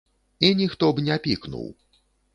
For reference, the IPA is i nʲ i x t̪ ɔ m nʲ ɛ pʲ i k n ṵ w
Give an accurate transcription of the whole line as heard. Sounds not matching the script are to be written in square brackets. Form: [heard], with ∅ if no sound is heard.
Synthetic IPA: i nʲ i x t̪ ɔ [b] nʲ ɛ pʲ i k n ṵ w